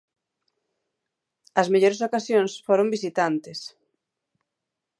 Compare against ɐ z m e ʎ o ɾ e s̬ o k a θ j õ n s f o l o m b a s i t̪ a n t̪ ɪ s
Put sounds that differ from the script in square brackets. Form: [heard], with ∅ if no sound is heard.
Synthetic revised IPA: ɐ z m e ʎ o ɾ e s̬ o k a [s] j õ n s f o [ɾ] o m b [i] s i t̪ a n t̪ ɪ s